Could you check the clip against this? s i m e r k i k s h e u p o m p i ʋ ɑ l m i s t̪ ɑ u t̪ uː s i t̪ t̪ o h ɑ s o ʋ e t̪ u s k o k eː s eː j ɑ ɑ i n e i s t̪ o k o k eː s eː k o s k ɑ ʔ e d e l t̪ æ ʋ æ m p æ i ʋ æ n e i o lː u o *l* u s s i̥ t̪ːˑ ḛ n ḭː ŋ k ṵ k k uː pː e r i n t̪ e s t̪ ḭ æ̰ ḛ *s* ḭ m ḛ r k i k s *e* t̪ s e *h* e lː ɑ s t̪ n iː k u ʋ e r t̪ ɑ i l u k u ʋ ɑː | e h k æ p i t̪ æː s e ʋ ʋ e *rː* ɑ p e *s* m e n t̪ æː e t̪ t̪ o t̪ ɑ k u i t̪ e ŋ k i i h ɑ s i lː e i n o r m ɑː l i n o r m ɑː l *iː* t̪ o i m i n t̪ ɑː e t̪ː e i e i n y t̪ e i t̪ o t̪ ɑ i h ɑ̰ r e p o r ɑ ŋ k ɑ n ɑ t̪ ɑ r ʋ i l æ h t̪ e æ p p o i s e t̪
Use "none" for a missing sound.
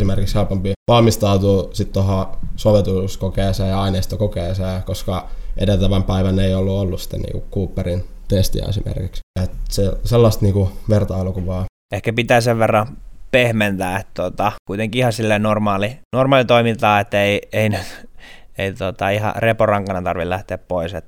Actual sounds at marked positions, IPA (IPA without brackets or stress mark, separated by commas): lː, s, e, s, rː, h, i